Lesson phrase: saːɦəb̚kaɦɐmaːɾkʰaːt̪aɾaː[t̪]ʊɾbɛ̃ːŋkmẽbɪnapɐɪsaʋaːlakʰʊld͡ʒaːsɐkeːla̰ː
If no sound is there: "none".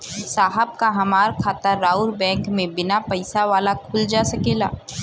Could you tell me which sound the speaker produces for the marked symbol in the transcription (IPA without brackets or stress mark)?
none